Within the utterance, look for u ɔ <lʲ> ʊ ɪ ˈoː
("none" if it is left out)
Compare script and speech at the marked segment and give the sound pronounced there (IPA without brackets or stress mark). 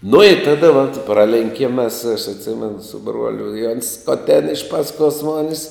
lʲ